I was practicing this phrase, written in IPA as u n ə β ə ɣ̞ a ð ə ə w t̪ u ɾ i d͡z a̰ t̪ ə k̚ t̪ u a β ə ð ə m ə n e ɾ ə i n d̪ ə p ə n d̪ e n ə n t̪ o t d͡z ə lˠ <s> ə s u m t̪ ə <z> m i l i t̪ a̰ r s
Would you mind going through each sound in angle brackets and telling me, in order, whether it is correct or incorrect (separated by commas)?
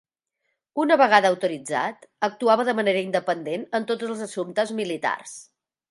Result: incorrect, correct